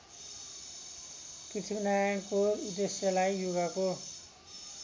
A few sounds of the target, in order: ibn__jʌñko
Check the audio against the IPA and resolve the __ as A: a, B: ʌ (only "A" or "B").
A